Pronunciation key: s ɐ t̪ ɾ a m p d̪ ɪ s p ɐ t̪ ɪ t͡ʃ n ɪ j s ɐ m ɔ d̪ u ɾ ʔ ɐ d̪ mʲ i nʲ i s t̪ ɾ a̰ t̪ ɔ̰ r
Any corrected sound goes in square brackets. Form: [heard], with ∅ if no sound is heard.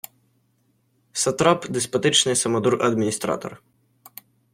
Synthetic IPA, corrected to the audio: s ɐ t̪ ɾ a [∅] p d̪ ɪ s p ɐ t̪ ɪ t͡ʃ n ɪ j s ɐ m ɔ d̪ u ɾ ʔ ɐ d̪ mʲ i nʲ i s t̪ ɾ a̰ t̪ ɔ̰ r

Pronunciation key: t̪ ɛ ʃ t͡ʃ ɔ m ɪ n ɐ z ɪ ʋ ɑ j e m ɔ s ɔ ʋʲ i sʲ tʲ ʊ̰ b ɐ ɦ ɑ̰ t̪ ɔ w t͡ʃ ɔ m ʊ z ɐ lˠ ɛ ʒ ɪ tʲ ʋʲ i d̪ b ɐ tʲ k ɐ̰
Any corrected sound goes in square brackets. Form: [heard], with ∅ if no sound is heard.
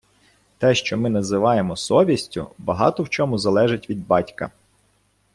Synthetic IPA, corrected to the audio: t̪ ɛ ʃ t͡ʃ ɔ m ɪ n ɐ z ɪ ʋ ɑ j e m ɔ s ɔ ʋʲ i sʲ tʲ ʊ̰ b ɐ ɦ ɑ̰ t̪ ɔ w t͡ʃ ɔ m ʊ z ɐ lˠ ɛ ʒ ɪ tʲ ʋʲ i d̪ b [ɑ] tʲ k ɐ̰

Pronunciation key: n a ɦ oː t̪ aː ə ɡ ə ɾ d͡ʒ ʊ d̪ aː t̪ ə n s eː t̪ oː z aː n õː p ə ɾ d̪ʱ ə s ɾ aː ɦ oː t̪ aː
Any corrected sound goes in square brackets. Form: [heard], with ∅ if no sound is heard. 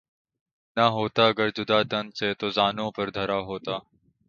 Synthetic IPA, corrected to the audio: n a ɦ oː t̪ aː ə ɡ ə ɾ d͡ʒ ʊ d̪ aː t̪ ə n s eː t̪ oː z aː n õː p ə ɾ d̪ʱ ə [∅] ɾ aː ɦ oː t̪ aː

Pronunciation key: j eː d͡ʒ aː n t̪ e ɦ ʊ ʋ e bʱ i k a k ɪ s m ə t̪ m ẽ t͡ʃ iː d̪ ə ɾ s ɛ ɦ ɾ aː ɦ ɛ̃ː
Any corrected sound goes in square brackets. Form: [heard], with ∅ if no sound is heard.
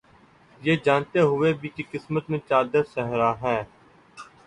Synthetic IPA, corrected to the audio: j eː d͡ʒ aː n t̪ e ɦ ʊ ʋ e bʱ i k [i] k ɪ s m ə t̪ m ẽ t͡ʃ [aː] d̪ ə ɾ s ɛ ɦ ɾ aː ɦ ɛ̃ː

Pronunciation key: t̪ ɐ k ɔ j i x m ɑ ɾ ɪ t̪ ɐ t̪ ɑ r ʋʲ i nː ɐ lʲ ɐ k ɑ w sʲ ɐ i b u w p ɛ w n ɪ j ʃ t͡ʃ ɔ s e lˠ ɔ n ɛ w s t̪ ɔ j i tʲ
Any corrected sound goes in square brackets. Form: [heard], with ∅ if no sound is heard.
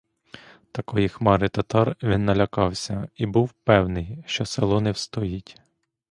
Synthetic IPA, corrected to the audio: t̪ ɐ k ɔ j i x m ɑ ɾ ɪ t̪ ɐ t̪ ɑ r ʋʲ i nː ɐ lʲ ɐ k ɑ w sʲ ɐ i b u w p ɛ w n ɪ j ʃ t͡ʃ ɔ s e lˠ ɔ n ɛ w s t̪ ɔ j i tʲ

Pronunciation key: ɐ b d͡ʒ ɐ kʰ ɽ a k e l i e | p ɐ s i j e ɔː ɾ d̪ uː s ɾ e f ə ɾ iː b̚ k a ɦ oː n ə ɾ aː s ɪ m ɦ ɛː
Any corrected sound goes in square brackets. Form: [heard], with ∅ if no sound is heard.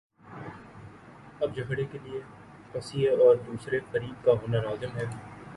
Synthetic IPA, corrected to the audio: ɐ b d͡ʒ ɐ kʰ ɽ [e] k e l i e | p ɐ s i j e ɔː ɾ d̪ uː s ɾ e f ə ɾ iː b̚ k a ɦ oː n [a] ɾ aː [z] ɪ m ɦ ɛː

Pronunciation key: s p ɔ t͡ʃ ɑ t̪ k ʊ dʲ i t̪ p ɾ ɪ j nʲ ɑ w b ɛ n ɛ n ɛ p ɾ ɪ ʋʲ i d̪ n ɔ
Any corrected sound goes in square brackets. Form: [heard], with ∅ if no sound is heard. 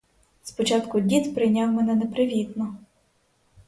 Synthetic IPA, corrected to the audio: s p ɔ t͡ʃ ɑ t̪ k ʊ dʲ i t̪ p ɾ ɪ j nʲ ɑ w [m] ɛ n ɛ n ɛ p ɾ ɪ ʋʲ i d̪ n ɔ

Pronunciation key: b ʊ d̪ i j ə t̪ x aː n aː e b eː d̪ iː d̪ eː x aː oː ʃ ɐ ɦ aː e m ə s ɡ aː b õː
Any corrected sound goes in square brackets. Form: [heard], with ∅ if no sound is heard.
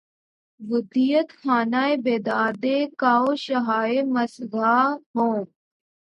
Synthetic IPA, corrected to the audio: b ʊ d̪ i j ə t̪ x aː n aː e b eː d̪ [aː] d̪ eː [k] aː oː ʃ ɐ ɦ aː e m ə s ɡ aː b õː

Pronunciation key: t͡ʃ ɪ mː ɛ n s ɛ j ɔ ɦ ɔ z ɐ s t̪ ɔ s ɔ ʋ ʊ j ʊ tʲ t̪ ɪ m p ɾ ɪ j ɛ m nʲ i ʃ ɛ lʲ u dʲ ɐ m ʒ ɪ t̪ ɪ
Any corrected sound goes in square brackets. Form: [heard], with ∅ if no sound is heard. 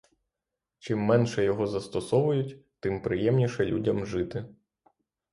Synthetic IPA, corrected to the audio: t͡ʃ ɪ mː ɛ n [ʃ] ɛ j ɔ ɦ ɔ z ɐ s t̪ ɔ s ɔ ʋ ʊ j ʊ tʲ t̪ ɪ m p ɾ ɪ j ɛ m nʲ i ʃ ɛ lʲ u dʲ ɐ m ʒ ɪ t̪ ɪ

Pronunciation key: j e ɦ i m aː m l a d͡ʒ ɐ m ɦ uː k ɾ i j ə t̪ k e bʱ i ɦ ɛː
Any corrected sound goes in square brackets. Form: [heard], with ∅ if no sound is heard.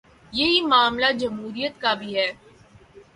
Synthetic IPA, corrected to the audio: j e ɦ i m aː m l a d͡ʒ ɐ m ɦ uː [∅] ɾ i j ə t̪ k [a] bʱ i ɦ ɛː

